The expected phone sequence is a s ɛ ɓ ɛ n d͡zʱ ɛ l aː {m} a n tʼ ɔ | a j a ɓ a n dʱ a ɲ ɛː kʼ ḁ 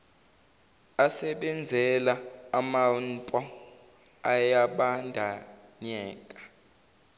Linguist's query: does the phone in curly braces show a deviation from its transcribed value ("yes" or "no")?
no